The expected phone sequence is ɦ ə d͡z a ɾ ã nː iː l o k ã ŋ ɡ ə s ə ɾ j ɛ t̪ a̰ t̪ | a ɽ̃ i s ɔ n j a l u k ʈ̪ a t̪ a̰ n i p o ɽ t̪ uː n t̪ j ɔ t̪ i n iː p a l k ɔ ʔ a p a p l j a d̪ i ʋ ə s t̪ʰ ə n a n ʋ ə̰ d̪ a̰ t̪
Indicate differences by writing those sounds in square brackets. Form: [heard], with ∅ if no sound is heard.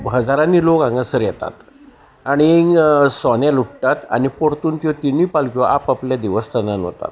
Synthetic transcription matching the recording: ɦ ə d͡z a ɾ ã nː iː l o k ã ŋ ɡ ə s ə ɾ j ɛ t̪ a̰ t̪ | a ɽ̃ i s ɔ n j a l u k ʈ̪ a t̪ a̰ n i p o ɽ t̪ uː n t̪ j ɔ t̪ i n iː p a l k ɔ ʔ a p a p l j a d̪ i ʋ ə s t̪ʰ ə n a n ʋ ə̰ [t̪] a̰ t̪